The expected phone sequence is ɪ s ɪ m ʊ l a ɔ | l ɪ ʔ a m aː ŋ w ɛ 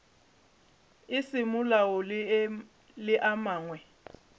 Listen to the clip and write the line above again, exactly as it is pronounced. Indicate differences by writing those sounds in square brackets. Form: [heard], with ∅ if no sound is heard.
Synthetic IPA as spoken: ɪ s ɪ m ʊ l a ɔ | l ɪ ʔ a m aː ŋ w ɛ